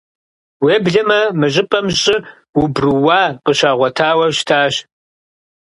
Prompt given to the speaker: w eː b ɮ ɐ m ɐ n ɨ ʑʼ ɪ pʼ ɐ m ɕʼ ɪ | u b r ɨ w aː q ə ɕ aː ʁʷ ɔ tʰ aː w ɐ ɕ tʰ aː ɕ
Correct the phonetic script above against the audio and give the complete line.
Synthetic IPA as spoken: w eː b ɮ ɐ m ɐ m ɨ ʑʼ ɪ pʼ ɐ m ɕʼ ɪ | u b r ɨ w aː q ə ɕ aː ʁʷ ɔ tʰ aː w ɐ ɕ tʰ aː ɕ